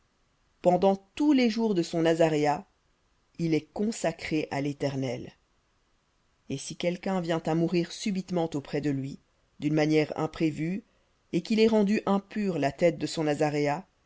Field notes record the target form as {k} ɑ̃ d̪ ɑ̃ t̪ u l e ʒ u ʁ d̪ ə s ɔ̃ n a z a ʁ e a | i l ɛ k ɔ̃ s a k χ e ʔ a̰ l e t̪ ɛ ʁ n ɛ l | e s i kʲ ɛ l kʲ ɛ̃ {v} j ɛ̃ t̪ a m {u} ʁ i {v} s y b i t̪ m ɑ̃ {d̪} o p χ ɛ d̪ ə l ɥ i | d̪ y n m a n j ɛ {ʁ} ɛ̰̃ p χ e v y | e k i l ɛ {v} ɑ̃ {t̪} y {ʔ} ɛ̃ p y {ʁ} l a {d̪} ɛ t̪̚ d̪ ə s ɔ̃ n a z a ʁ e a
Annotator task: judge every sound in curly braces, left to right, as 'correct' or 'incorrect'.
incorrect: p, correct, correct, incorrect: ʁ, incorrect: t̪, correct, incorrect: ʁ, incorrect: d̪, correct, correct, incorrect: t̪

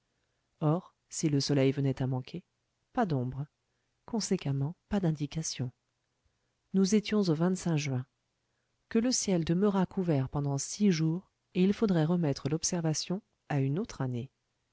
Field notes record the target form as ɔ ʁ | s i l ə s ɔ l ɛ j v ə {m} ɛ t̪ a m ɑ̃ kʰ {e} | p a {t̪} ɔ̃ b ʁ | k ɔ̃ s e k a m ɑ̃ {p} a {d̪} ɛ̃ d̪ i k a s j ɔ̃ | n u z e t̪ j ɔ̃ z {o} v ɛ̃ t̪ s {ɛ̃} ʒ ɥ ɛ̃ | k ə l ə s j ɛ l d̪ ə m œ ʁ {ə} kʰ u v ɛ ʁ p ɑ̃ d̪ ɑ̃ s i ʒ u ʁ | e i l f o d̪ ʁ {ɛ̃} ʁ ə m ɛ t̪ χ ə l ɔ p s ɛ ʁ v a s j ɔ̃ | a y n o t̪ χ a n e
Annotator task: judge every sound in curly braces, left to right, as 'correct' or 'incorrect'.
incorrect: n, correct, incorrect: d̪, correct, correct, correct, correct, incorrect: a, incorrect: ɛ

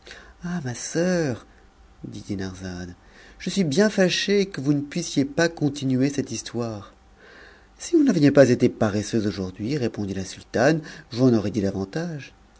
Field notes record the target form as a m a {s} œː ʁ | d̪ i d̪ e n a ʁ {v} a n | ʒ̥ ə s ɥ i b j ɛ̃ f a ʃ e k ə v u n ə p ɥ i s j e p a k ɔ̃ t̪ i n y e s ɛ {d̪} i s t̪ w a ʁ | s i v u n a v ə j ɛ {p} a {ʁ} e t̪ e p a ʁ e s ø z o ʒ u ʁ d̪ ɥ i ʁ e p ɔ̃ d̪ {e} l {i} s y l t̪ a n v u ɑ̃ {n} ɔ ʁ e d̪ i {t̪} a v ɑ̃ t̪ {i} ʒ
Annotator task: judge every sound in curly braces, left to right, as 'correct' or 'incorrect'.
correct, incorrect: z, incorrect: t̪, correct, incorrect: z, incorrect: i, incorrect: a, correct, incorrect: d̪, incorrect: a

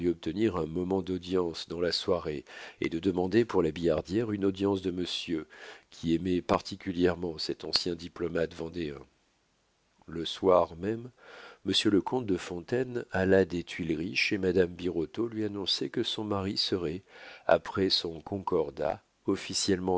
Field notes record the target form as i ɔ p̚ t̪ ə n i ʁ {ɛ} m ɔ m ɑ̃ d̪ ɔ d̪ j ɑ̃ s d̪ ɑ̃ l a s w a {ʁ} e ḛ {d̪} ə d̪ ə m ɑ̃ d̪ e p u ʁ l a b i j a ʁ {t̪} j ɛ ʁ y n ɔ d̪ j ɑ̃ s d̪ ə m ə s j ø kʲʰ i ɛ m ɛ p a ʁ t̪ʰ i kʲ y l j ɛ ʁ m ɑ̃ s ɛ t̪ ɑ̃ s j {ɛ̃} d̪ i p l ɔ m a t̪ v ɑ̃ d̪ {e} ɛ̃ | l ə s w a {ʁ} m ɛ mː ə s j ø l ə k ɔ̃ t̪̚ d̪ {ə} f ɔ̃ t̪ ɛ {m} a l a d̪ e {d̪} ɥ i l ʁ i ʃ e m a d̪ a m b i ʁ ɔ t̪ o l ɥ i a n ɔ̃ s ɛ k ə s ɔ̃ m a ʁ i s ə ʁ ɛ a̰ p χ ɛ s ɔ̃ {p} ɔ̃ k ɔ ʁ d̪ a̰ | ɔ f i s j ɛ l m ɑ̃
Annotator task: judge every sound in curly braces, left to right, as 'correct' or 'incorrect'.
incorrect: ɛ̃, correct, correct, incorrect: d̪, correct, correct, correct, correct, incorrect: n, incorrect: t̪, incorrect: k

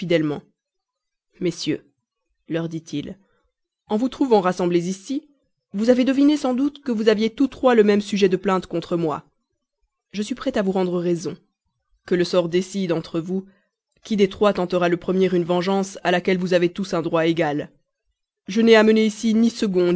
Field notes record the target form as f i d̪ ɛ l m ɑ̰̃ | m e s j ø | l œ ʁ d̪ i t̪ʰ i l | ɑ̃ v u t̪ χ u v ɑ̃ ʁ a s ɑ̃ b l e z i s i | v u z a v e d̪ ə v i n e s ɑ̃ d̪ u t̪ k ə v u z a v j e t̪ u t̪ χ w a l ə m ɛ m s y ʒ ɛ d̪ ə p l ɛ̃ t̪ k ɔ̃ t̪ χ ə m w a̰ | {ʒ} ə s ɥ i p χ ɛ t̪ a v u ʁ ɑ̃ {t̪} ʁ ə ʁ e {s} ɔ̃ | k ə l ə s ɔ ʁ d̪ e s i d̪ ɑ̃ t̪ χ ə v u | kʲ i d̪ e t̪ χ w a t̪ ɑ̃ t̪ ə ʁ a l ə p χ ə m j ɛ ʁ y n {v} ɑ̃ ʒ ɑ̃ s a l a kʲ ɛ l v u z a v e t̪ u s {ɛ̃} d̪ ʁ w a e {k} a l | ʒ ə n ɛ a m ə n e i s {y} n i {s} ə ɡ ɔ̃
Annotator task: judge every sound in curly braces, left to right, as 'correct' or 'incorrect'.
correct, incorrect: d̪, incorrect: z, correct, correct, incorrect: ɡ, incorrect: i, correct

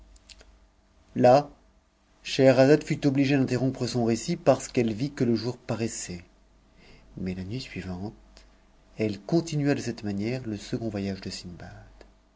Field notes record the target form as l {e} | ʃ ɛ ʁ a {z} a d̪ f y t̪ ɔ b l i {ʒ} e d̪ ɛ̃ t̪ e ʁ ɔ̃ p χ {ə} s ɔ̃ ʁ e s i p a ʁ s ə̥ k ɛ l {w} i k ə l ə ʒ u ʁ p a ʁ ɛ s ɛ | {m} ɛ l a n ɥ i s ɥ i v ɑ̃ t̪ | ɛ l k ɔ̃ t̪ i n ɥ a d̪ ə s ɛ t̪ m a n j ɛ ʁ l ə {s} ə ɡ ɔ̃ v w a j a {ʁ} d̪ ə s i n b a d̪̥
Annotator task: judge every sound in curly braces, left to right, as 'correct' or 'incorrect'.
incorrect: a, correct, correct, correct, incorrect: v, correct, correct, incorrect: ʒ

